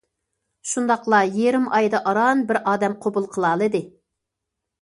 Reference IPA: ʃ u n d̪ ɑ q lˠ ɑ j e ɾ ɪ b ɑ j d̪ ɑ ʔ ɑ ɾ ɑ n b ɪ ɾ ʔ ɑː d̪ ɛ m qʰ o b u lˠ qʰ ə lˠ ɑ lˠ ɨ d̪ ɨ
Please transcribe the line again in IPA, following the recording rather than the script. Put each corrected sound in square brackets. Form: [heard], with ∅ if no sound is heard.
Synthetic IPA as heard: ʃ u n d̪ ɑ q lˠ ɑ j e ɾ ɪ [m] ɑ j d̪ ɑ ʔ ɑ ɾ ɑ n b ɪ ɾ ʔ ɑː d̪ ɛ m qʰ o b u lˠ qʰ ə lˠ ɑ lˠ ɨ d̪ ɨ